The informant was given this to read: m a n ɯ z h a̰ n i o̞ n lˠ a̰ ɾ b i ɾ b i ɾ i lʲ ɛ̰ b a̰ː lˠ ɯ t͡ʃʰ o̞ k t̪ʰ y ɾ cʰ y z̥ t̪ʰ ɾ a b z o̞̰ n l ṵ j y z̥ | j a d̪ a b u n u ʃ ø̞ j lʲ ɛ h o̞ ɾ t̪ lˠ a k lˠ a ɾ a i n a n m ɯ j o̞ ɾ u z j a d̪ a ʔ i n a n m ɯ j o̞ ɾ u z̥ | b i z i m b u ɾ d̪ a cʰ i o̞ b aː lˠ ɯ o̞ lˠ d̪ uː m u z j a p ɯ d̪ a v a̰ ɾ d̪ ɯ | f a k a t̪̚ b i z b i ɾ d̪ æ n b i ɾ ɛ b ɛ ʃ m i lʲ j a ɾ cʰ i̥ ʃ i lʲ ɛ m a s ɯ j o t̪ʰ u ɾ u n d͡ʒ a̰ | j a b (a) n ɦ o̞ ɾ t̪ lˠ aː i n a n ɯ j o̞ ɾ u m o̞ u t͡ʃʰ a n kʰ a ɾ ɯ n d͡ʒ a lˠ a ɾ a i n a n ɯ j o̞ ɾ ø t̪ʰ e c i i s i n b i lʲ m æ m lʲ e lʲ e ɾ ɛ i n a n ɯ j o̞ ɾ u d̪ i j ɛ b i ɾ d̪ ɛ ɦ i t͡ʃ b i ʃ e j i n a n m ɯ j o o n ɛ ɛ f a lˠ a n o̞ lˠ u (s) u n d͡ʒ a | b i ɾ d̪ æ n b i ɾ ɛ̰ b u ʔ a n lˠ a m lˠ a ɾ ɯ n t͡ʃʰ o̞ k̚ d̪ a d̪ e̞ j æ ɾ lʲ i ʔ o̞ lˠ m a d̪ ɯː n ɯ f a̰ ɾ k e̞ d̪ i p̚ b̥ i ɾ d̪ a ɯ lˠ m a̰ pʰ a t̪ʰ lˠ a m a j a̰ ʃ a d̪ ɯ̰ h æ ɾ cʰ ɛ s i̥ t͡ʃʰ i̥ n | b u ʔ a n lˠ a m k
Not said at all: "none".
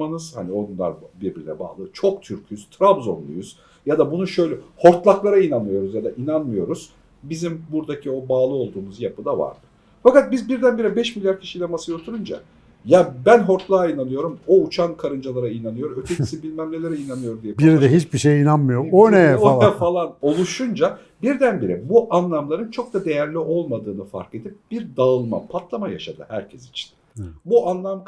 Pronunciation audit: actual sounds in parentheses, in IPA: æ, ʃ

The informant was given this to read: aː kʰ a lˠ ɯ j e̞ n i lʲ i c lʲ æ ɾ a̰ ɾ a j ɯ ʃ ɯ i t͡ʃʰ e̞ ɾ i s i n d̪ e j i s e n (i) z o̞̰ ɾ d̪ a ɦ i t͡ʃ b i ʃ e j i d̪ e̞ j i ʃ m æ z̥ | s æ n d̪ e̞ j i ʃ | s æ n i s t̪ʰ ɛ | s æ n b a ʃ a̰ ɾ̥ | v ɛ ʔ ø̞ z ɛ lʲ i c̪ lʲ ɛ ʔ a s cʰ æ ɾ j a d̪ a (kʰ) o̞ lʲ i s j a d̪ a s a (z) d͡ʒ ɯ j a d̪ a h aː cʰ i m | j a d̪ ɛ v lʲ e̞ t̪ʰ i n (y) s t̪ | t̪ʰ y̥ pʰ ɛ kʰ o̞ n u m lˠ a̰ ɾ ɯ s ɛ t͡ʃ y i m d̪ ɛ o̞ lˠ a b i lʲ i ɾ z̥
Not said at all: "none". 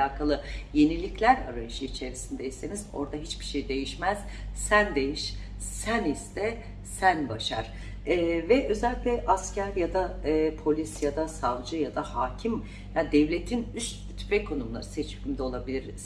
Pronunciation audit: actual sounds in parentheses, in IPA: i, pʰ, v, y

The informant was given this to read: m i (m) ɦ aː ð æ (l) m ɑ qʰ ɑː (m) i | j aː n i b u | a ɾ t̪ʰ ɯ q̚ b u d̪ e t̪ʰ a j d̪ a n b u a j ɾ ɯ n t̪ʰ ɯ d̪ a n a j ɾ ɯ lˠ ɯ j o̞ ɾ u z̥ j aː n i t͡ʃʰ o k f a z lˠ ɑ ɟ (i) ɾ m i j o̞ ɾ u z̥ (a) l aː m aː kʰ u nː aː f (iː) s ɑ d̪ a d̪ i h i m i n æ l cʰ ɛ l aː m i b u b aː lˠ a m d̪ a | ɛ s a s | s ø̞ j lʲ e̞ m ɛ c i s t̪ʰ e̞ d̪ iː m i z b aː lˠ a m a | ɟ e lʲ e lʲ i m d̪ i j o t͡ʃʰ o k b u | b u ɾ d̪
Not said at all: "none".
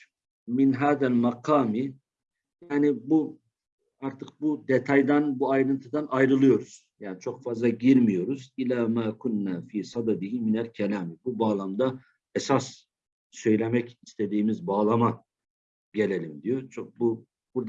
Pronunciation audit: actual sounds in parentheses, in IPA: n, l, m, i, i, iː

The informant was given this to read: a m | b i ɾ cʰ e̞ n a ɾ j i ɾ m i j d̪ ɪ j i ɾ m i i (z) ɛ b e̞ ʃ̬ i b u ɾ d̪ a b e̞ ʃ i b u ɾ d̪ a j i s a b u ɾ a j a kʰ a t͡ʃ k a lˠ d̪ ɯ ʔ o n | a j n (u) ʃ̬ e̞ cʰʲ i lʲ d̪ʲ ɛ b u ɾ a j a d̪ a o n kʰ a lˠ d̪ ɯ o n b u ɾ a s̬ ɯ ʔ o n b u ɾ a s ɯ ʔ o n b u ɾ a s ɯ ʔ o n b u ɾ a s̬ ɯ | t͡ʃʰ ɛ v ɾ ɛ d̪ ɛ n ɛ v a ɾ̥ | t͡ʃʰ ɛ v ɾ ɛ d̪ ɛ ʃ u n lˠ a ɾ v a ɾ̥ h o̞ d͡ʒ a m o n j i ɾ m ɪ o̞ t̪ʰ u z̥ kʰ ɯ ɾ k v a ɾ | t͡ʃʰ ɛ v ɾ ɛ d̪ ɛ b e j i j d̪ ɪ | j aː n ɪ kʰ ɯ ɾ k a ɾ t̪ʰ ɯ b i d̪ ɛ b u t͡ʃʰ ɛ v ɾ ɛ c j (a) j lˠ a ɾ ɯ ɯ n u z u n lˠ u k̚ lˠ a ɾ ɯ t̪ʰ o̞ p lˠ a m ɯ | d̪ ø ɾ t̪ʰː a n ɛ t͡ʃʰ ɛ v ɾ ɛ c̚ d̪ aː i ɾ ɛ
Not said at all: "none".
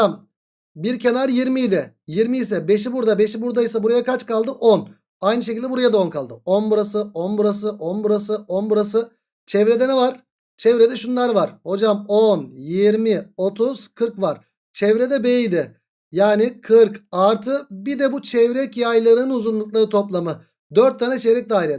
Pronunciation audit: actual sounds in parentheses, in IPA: s, ɯ, a

